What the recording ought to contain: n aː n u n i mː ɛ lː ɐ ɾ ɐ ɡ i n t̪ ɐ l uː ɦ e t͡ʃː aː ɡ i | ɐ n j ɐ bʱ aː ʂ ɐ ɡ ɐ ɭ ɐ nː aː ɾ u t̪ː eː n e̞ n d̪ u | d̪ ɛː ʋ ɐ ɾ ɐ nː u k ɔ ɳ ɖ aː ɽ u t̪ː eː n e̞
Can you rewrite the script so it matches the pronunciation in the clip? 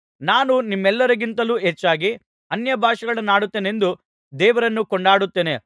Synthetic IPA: n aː n u n i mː ɛ lː ɐ ɾ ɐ ɡ i n t̪ ɐ l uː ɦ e t͡ʃː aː ɡ i | ɐ n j ɐ bʱ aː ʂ ɐ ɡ ɐ ɭ ɐ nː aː ɽ u t̪ː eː n e̞ n d̪ u | d̪ ɛː ʋ ɐ ɾ ɐ nː u k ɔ ɳ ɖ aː ɽ u t̪ː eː n e̞